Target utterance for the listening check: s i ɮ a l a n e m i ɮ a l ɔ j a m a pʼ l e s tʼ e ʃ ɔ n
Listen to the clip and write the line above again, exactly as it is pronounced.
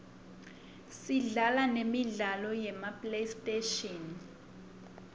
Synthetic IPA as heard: s i ɮ a l a n e m i ɮ a l ɔ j ɛ m a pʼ l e s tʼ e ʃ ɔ n

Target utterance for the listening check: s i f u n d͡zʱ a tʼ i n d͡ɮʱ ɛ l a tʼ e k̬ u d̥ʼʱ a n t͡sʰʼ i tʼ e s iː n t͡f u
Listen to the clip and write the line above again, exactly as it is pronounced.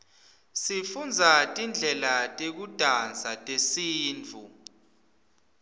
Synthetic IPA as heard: s i f u n d͡zʱ a tʼ i n d͡ɮʱ ɛ l a tʼ e k̬ u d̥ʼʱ a n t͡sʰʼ a tʼ e s iː n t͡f u

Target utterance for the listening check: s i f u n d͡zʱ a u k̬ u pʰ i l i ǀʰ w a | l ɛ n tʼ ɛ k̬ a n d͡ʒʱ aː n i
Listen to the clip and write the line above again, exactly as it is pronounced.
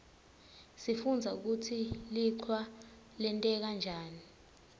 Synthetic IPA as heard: s i f u n d͡zʱ a u k̬ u tʰ i l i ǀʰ w a | l ɛ n tʼ ɛ k̬ a n d͡ʒʱ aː n i

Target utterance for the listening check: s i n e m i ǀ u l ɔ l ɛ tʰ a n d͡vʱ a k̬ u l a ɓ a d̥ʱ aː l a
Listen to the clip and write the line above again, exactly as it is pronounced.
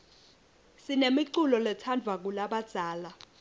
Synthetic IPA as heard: s i n e m i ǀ u l ɔ l ɛ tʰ a n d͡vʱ a k̬ u l a ɓ a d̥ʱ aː l a

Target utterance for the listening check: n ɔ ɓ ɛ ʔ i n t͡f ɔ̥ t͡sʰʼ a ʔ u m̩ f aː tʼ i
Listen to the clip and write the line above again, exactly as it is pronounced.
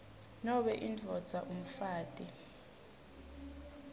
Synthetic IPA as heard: n ɔ ɓ ɛ ʔ i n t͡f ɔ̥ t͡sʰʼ a ʔ u m̩ f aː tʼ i

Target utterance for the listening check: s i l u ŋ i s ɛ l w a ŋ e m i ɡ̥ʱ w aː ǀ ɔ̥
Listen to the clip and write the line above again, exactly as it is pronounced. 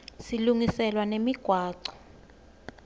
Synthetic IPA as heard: s i l u ŋ i s ɛ l w a n e m i ɡ̥ʱ w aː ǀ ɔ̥

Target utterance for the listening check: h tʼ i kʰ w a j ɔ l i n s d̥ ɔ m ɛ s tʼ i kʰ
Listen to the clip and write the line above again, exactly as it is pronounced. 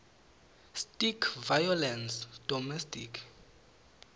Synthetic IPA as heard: s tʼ i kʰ v a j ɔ l ɛ n s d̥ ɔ m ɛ s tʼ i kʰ

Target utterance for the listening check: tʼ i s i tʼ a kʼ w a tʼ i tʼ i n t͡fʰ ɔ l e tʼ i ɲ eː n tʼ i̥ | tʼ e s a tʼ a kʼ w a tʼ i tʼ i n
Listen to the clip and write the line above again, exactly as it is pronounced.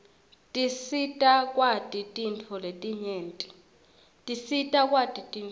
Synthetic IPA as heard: tʼ i s i tʼ a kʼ w a tʼ i tʼ i n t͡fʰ ɔ l e tʼ i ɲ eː n tʼ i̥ | tʼ i s i tʼ a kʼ w a tʼ i tʼ i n

